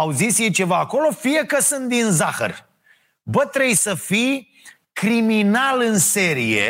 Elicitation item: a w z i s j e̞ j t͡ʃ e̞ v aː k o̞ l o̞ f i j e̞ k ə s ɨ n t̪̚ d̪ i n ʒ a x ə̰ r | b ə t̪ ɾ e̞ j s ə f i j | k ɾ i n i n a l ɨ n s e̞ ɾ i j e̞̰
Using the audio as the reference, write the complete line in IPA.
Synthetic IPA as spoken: a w z i s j e̞ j t͡ʃ e̞ v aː k o̞ l o̞ f i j e̞ k ə s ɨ n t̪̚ d̪ i n z a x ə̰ r | b ə t̪ ɾ e̞ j s ə f i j | k ɾ i m i n a l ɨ n s e̞ ɾ i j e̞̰